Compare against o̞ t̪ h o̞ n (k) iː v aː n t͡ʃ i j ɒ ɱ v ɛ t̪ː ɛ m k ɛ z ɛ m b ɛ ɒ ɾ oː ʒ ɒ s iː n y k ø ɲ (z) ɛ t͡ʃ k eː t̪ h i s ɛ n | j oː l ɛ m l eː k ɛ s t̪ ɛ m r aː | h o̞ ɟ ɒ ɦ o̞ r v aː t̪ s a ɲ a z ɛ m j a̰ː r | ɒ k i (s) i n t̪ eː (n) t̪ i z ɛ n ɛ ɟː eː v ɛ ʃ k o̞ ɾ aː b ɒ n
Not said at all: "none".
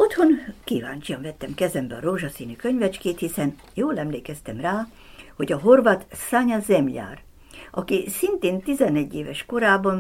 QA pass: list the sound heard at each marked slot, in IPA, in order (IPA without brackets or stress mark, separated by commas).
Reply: k, v, s, n